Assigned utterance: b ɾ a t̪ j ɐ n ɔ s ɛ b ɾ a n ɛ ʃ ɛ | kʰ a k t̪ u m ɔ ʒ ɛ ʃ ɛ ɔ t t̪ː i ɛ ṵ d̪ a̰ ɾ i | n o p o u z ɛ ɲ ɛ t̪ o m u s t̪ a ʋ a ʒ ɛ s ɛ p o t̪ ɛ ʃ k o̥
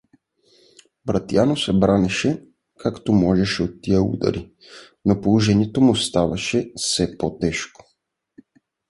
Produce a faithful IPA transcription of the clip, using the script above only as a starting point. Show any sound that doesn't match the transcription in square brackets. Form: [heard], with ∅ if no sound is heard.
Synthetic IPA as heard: b ɾ a t̪ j [a] n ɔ s ɛ b ɾ a n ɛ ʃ ɛ | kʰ a k t̪ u m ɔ ʒ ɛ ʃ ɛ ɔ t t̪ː i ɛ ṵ d̪ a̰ ɾ i | n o p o u [ʒ] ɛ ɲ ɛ t̪ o m u s t̪ a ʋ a [ʃ] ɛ s ɛ p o t̪ ɛ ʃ k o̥